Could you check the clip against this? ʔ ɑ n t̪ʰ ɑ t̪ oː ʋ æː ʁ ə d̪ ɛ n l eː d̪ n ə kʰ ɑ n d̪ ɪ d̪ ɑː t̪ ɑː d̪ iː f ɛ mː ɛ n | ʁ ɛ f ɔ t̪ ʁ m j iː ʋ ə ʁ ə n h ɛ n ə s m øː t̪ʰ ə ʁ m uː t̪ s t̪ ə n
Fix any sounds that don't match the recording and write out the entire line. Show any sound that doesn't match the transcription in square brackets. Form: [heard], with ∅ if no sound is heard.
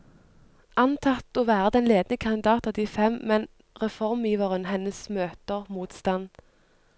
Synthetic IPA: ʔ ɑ n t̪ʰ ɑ t̪ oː ʋ æː ʁ ə d̪ ɛ n l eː d̪ n ə kʰ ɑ n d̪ ɪ d̪ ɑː t̪ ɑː d̪ iː f ɛ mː ɛ n | ʁ ɛ f ɔ [∅] ʁ m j iː ʋ ə ʁ ə n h ɛ n ə s m øː [t̪] ə ʁ m uː t̪ s t̪ [ɑ] n